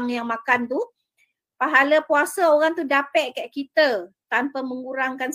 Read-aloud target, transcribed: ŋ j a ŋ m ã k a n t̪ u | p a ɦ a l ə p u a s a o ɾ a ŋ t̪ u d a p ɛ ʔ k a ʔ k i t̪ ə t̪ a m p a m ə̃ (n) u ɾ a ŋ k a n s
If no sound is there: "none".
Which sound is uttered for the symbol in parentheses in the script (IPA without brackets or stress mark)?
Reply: ŋ